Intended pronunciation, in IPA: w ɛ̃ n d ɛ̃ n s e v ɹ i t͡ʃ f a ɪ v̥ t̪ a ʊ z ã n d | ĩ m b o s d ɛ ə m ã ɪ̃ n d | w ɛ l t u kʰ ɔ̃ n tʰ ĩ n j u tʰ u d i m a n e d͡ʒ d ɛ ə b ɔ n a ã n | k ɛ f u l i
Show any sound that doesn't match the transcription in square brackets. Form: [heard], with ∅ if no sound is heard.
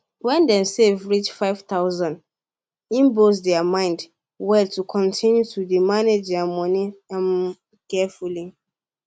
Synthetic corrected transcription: w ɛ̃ n d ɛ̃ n s e v ɹ i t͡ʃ f a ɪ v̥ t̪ a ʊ z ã n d | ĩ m b o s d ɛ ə m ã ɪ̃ n d | w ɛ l t u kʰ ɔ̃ n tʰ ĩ n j u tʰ u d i m a n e d͡ʒ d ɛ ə [m] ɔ n [i] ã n | k ɛ f u l i